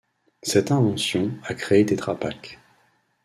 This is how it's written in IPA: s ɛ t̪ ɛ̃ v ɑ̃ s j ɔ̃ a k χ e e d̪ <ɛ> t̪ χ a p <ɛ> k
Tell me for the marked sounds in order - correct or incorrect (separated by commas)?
incorrect, incorrect